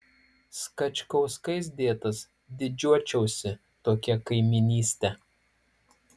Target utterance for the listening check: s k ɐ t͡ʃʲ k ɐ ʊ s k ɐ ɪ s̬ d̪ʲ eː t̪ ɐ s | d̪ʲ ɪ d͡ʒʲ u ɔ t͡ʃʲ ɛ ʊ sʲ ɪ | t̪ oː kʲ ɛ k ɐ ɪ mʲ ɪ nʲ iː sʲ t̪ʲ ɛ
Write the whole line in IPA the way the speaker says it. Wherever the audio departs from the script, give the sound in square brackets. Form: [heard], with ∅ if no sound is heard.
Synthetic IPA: s k ɐ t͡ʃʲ k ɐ ʊ s k ɐ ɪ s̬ d̪ʲ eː t̪ ɐ s | d̪ʲ ɪ d͡ʒʲ u ɔ t͡ʃʲ ɛ ʊ sʲ ɪ | t̪ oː kʲ ɛ k ɐ ɪ mʲ ɪ nʲ iː sʲ t̪ʲ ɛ

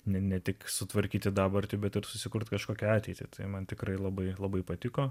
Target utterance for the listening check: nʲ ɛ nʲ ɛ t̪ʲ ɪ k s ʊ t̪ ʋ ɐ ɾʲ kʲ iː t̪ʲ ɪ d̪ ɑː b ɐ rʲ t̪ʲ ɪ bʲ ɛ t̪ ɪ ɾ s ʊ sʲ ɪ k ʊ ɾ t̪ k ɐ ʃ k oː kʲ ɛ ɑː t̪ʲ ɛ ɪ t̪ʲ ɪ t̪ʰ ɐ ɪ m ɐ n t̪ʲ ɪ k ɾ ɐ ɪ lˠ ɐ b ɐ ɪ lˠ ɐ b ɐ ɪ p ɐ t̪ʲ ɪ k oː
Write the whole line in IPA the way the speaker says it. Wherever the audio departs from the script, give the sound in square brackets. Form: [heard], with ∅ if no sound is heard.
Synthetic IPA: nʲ ɛ nʲ ɛ t̪ʲ ɪ k s ʊ t̪ ʋ ɐ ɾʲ kʲ iː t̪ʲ ɪ d̪ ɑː b ɐ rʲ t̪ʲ ɪ bʲ ɛ t̪ ɪ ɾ s ʊ sʲ ɪ k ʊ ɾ t̪ k ɐ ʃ k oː kʲ ɛ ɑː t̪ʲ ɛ ɪ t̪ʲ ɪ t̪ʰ ɐ ɪ m ɐ n t̪ʲ ɪ k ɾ ɐ ɪ lˠ ɐ b ɐ ɪ lˠ ɐ b ɐ ɪ p ɐ t̪ʲ ɪ k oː

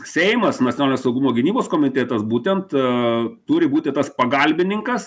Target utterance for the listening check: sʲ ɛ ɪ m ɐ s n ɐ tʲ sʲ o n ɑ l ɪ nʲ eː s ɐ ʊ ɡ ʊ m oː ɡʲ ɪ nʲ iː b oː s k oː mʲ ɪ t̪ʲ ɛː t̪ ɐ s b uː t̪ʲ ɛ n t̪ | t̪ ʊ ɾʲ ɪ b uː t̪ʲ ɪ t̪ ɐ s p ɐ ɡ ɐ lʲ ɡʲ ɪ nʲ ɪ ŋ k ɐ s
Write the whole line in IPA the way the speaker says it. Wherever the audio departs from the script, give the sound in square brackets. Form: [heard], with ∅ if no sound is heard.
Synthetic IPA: sʲ ɛ ɪ m ɐ s n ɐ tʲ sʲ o n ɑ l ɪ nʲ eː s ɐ ʊ ɡ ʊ m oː ɡʲ ɪ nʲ iː b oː s k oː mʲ ɪ t̪ʲ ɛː t̪ ɐ s b uː t̪ʲ ɛ n t̪ | t̪ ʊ ɾʲ ɪ b uː t̪ʲ ɪ t̪ ɐ s p ɐ ɡ ɐ lʲ [bʲ] ɪ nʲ ɪ ŋ k ɐ s

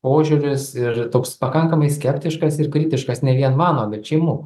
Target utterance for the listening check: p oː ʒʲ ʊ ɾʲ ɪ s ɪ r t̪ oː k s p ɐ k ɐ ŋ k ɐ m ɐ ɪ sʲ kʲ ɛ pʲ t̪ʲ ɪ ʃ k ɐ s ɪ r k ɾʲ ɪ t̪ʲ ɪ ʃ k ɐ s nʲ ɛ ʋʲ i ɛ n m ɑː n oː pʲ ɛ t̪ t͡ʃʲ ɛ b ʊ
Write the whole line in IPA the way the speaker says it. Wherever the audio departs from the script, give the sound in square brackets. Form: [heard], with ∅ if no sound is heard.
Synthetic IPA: p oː ʒʲ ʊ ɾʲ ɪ s ɪ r t̪ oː k s p ɐ k ɐ ŋ k ɐ m ɐ ɪ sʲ kʲ ɛ pʲ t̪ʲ ɪ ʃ k ɐ s ɪ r k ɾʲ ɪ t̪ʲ ɪ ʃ k ɐ s nʲ ɛ ʋʲ i ɛ n m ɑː n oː [bʲ] ɛ t̪ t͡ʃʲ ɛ [m] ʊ

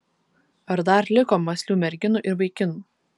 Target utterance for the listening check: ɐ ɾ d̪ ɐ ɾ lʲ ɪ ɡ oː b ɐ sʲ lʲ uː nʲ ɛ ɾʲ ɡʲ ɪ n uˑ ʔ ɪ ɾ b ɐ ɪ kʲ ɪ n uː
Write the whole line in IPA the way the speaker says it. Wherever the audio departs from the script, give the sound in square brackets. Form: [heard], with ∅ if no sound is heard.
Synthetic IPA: ɐ ɾ d̪ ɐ ɾ lʲ ɪ [k] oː [m] ɐ sʲ lʲ uː [mʲ] ɛ ɾʲ ɡʲ ɪ n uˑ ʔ ɪ ɾ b ɐ ɪ kʲ ɪ n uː

